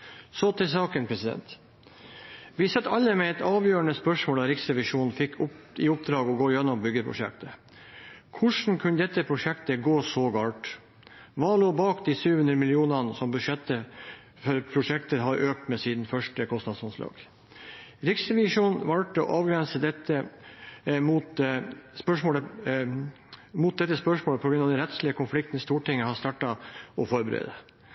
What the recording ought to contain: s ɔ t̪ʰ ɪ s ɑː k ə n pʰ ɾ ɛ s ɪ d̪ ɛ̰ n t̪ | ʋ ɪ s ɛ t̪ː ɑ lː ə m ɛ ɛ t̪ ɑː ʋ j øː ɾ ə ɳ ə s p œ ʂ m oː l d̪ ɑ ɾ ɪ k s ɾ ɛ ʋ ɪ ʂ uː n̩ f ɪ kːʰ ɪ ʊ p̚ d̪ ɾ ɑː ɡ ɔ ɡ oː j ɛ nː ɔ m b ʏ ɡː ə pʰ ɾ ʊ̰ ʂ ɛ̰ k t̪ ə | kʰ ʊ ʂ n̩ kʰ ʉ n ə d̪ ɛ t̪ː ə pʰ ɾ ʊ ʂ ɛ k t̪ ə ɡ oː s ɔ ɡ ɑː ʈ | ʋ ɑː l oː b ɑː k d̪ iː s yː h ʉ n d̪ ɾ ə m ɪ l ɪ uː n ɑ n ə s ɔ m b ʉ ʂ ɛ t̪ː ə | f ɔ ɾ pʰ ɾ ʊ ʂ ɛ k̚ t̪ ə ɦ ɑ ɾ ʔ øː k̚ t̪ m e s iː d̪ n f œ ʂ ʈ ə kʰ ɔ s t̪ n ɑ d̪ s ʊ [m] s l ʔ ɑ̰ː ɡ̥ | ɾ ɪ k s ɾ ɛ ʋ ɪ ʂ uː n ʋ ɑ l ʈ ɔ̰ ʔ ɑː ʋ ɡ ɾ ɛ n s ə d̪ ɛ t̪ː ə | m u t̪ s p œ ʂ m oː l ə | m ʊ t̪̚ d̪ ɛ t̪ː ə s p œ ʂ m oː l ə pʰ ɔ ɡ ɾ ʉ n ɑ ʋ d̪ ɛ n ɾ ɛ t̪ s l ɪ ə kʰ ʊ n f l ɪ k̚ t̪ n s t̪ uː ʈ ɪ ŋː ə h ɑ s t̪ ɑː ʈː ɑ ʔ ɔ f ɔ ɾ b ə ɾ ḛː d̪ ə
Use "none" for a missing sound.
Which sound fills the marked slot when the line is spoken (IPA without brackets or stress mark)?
n